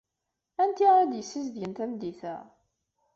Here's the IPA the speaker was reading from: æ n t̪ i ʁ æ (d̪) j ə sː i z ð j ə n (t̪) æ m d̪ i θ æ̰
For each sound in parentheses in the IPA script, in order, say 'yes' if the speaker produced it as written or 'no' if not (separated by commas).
yes, yes